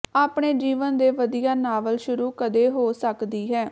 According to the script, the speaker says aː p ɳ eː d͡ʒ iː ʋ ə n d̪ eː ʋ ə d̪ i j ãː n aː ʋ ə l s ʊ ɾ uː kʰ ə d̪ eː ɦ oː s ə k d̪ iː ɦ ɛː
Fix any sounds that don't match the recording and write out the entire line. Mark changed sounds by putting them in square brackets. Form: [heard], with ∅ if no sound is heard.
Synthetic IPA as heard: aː p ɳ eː d͡ʒ iː ʋ ə n d̪ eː ʋ ə d̪ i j [aː] n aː ʋ ə l [ʃ] ʊ ɾ uː [k] ə d̪ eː ɦ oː s ə k d̪ iː ɦ ɛː